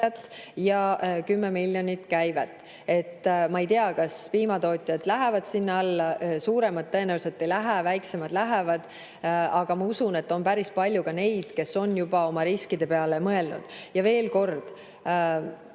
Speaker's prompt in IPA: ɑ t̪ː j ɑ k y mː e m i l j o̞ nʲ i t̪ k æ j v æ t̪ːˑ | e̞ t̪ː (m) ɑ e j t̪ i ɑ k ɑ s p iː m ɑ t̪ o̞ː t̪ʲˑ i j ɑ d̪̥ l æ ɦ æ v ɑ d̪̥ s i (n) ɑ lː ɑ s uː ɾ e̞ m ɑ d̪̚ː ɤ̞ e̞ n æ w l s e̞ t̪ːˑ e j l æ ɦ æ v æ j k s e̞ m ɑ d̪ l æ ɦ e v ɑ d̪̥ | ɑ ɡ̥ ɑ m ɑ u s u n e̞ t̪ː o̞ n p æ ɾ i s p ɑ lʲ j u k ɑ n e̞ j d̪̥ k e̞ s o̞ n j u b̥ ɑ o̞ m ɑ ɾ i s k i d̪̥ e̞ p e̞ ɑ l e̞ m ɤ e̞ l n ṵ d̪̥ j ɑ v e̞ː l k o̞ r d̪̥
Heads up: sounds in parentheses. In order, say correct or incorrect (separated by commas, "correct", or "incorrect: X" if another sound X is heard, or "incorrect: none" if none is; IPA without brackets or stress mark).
correct, incorrect: nː